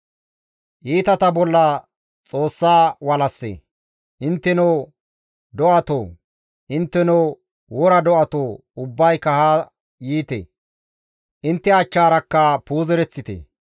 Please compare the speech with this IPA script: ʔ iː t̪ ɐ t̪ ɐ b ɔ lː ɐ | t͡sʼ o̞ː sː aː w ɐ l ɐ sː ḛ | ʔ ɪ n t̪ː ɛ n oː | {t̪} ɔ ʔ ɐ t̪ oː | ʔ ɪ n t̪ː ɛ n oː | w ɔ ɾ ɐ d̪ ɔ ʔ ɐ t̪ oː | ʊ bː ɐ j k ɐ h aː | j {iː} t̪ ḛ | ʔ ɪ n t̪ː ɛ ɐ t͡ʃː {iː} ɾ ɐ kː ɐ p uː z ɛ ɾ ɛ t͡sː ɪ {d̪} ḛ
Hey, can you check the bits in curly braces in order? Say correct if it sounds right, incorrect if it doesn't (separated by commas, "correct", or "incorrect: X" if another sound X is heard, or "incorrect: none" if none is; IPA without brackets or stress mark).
incorrect: d̪, correct, incorrect: aː, incorrect: t̪